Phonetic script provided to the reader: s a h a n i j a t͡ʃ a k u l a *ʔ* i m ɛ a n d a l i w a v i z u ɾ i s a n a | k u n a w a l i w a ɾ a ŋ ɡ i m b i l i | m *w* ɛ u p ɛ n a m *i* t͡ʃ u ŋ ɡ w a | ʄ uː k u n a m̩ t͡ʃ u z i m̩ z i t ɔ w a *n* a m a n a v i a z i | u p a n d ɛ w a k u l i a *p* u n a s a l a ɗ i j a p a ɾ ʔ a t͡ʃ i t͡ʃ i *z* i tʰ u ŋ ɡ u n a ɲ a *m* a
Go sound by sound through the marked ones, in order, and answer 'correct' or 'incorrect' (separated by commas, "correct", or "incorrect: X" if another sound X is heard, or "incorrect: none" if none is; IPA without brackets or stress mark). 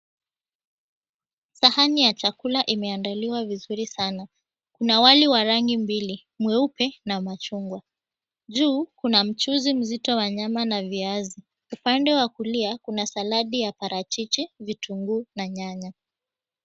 correct, correct, incorrect: a, incorrect: ɲ, incorrect: k, incorrect: v, incorrect: ɲ